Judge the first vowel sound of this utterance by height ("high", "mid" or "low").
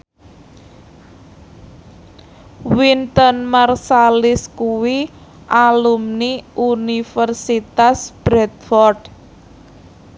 high